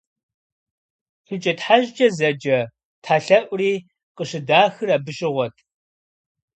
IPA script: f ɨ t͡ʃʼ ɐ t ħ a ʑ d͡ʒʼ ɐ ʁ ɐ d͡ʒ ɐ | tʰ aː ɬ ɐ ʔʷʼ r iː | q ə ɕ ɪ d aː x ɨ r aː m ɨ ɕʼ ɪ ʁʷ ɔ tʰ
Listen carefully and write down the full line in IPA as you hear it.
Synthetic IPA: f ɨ t͡ʃʼ ɐ t ħ a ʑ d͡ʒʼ ɐ z ɐ d͡ʒ ɐ | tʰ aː ɬ ɐ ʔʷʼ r iː | q ə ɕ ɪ d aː x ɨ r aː b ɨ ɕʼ ɪ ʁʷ ɔ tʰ